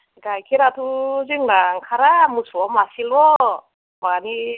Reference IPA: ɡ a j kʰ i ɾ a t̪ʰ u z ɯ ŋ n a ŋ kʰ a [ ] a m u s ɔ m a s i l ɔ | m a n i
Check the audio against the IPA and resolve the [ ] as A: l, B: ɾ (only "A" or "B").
B